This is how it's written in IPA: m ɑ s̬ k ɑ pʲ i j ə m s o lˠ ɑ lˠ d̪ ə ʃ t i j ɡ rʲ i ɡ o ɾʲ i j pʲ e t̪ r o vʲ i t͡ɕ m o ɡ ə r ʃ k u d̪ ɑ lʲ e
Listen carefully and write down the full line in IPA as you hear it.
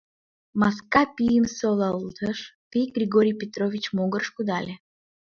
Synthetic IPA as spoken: m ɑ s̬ k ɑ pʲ i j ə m s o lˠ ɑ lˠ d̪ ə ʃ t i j ɡ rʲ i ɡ o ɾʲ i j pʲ e t̪ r o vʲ i t͡ɕ m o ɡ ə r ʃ k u d̪ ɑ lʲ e